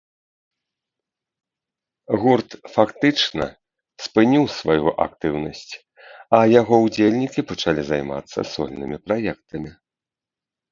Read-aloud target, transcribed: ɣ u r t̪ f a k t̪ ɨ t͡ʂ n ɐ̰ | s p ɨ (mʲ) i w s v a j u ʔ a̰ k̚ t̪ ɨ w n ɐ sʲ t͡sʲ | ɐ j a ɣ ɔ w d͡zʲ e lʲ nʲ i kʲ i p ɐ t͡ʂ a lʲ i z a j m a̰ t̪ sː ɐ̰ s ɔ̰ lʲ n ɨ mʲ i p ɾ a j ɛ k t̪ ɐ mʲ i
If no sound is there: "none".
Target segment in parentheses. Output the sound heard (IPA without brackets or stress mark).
nʲ